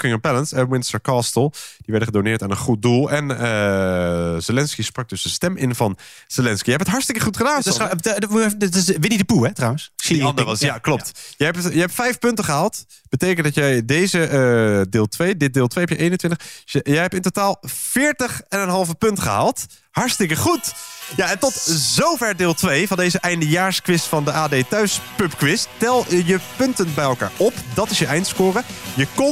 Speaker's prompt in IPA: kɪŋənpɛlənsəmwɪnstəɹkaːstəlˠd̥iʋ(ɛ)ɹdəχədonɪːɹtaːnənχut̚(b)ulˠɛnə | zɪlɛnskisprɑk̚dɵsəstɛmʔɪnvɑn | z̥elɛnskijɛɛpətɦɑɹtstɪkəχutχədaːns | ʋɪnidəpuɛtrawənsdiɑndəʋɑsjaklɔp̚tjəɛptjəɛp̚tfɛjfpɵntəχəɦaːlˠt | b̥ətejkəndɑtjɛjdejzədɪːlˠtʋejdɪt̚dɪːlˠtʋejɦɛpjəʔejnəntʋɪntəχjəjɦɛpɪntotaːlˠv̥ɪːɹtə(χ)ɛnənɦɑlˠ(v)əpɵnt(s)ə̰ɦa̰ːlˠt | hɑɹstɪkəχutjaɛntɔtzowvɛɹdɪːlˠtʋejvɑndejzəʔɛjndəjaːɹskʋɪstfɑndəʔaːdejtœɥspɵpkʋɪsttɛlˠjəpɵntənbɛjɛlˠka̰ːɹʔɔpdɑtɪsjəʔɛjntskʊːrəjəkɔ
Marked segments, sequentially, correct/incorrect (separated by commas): correct, incorrect, correct, correct, incorrect